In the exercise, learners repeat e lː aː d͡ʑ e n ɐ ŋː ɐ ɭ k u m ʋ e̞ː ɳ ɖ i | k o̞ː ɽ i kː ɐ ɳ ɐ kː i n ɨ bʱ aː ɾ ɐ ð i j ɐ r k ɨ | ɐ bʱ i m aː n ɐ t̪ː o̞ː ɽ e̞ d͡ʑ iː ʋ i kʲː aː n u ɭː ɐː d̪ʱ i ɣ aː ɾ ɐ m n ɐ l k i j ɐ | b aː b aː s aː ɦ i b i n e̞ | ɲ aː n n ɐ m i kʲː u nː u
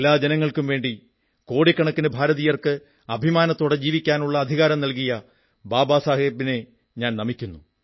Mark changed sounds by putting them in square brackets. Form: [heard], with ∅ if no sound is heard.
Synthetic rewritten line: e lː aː d͡ʑ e n ɐ ŋː ɐ ɭ k u m ʋ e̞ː ɳ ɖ i | k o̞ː ɽ i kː ɐ ɳ ɐ kː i n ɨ bʱ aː ɾ ɐ ð i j ɐ r k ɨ | ɐ bʱ i m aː n ɐ t̪ː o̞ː ɽ e̞ d͡ʑ iː ʋ i kʲː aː n u ɭː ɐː d̪ʱ i ɣ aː ɾ ɐ m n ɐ l k i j ɐ | b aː b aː s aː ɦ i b i n e̞ | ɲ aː n n ɐ m i kʲː u nː u